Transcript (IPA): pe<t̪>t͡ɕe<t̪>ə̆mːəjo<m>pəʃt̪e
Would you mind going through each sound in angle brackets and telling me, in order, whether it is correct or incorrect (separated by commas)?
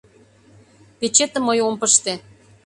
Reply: incorrect, correct, correct